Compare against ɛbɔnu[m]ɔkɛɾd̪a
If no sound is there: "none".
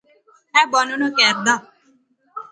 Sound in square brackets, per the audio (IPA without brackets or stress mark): n